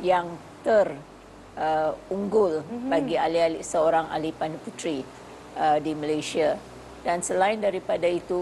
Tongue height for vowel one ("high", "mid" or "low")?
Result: low